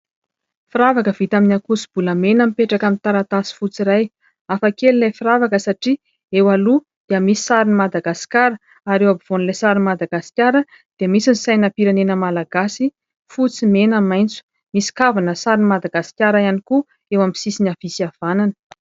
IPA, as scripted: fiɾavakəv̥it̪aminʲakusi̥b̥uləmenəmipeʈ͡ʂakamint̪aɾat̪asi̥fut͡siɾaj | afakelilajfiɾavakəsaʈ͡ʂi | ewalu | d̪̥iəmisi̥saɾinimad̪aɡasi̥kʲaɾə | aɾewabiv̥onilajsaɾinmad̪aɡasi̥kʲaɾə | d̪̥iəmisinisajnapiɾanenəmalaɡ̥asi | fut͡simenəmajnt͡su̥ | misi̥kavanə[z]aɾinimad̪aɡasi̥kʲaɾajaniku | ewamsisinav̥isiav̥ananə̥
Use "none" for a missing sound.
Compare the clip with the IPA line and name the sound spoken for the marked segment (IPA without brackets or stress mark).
s